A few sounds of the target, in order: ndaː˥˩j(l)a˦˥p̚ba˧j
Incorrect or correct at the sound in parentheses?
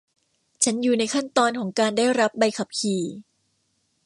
incorrect: ɾ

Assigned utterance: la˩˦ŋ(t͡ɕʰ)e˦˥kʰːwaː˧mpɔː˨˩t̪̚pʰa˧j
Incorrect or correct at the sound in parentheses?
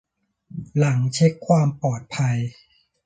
correct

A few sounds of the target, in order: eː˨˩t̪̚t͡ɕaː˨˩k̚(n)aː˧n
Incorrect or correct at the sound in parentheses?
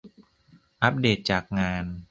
incorrect: ŋ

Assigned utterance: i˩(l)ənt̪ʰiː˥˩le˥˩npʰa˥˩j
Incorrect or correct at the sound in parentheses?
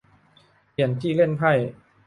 incorrect: none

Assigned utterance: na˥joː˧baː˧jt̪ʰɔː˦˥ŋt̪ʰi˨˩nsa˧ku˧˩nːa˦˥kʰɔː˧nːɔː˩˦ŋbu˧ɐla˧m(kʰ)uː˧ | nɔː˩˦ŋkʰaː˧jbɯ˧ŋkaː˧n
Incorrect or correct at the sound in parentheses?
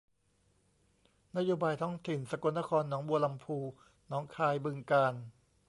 incorrect: pʰ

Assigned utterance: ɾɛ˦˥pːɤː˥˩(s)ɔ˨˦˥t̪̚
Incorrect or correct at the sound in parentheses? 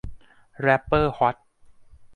incorrect: h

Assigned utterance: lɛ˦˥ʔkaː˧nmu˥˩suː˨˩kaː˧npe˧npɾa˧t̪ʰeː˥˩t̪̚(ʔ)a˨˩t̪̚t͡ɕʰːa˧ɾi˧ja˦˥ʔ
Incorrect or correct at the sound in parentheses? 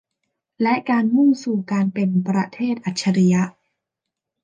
correct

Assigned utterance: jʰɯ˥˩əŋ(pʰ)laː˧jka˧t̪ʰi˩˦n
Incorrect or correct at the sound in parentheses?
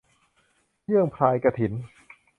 correct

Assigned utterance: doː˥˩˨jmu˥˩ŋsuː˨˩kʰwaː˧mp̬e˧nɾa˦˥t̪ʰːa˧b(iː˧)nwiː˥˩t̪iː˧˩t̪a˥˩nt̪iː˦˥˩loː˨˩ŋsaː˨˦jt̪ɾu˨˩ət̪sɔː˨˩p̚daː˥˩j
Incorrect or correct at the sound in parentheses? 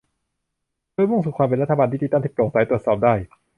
incorrect: aː˧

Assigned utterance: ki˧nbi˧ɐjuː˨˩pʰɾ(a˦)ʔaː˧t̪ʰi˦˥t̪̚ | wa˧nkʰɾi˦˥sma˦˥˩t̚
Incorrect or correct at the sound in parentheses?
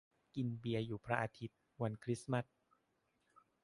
correct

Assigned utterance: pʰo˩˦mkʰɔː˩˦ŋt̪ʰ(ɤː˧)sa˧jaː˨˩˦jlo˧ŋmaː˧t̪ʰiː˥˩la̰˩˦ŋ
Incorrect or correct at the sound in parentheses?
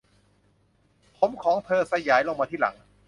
correct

